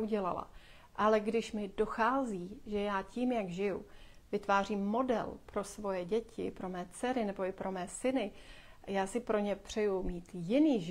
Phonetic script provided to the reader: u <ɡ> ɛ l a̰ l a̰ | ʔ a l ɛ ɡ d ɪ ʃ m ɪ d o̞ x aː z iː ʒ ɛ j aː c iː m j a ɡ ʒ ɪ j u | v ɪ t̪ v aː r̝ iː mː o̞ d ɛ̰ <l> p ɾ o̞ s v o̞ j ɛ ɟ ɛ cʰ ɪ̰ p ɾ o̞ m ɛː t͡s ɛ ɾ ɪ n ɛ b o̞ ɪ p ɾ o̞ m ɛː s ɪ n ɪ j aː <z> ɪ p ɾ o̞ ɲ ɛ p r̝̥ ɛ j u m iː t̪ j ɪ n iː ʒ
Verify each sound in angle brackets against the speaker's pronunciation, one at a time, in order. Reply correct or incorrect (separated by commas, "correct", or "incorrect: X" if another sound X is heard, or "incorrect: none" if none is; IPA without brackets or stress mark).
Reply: incorrect: ɟ, correct, incorrect: s